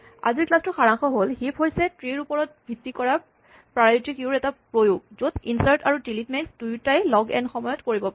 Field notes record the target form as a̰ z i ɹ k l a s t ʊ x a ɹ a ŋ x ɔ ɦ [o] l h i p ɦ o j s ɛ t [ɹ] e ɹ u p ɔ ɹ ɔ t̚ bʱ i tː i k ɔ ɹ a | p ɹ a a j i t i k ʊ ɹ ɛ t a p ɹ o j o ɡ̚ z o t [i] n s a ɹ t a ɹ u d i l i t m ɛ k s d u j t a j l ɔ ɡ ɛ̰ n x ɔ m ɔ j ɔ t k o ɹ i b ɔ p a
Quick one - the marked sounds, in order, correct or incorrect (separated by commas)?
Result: correct, correct, correct